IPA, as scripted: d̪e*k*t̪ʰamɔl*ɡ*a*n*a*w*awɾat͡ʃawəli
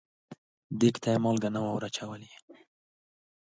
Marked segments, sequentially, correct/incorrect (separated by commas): correct, correct, correct, correct